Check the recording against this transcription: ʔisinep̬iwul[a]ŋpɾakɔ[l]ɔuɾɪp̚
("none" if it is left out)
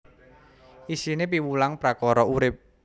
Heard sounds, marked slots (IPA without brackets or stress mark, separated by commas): a, ɾ